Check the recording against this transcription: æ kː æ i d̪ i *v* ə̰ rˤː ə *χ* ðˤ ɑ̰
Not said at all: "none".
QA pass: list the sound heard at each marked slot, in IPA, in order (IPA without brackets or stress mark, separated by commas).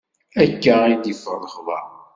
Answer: f, χ